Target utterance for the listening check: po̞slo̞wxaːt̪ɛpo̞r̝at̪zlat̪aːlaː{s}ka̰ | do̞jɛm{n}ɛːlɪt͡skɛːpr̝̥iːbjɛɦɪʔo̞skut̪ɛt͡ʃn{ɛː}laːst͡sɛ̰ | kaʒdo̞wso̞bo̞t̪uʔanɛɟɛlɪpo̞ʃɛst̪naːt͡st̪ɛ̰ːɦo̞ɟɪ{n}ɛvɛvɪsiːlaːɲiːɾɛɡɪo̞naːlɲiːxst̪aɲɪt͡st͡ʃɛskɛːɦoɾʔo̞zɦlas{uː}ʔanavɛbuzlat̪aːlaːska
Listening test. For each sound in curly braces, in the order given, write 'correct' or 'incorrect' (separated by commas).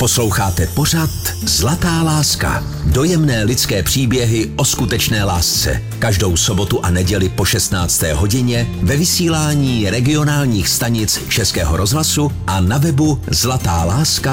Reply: correct, correct, correct, incorrect, incorrect